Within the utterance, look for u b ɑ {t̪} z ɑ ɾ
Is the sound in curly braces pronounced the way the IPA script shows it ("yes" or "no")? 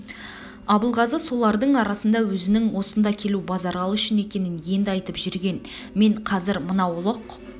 no